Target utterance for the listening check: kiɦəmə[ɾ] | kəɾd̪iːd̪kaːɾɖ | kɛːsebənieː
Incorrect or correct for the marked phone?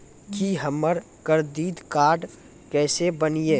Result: correct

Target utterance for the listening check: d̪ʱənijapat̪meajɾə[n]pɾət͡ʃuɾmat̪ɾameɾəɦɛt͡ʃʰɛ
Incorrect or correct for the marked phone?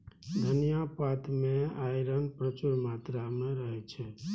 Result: correct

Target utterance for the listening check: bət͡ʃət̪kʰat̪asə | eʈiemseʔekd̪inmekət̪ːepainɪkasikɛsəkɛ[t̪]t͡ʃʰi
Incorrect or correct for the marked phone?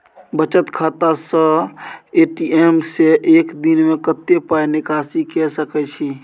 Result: incorrect: none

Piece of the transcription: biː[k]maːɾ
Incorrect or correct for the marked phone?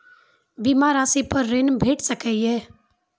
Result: incorrect: none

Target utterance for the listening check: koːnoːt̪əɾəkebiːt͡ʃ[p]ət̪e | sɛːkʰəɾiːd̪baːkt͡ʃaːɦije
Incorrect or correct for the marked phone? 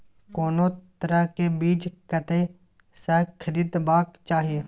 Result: incorrect: k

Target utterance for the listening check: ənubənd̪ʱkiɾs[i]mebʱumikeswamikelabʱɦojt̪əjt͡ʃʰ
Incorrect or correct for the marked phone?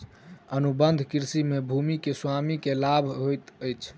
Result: correct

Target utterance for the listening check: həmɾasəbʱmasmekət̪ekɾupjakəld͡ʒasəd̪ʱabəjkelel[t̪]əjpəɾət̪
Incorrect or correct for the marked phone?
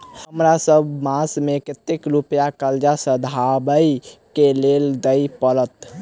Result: incorrect: d̪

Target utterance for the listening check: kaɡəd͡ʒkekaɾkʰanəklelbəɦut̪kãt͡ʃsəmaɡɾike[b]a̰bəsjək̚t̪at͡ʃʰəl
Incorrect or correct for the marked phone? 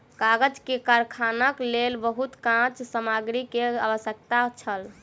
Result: incorrect: none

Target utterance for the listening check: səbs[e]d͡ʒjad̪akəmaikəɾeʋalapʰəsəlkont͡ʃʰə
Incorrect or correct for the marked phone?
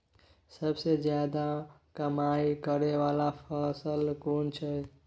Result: correct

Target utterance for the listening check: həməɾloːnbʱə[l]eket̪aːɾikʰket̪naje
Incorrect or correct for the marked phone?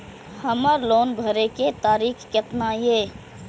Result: incorrect: ɾ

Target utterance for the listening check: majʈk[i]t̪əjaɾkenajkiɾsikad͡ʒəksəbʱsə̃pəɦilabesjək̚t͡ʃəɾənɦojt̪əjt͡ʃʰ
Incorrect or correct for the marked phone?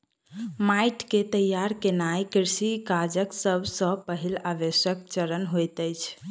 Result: incorrect: e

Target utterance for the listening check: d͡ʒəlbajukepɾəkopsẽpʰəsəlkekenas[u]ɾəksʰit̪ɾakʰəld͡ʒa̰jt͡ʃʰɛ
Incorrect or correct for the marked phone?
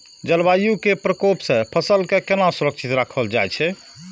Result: correct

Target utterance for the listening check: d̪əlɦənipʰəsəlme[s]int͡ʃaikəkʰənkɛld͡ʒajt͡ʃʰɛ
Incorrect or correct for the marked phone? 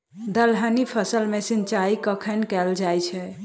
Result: correct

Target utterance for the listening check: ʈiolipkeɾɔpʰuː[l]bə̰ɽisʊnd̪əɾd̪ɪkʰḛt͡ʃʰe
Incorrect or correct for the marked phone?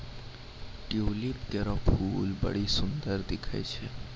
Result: correct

